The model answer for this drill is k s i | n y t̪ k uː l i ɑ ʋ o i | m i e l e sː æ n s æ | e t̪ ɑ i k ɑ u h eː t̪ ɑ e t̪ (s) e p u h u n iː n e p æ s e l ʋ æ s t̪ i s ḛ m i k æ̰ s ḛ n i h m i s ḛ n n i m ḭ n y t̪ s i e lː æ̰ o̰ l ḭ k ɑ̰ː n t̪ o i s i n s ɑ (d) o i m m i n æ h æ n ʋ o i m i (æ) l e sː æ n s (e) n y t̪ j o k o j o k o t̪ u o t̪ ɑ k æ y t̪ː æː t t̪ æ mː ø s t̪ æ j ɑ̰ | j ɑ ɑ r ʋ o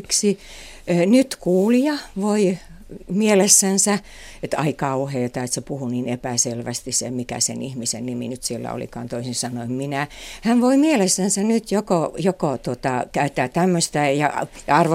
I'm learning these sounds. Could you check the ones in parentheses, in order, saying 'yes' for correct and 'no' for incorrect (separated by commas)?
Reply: yes, no, no, no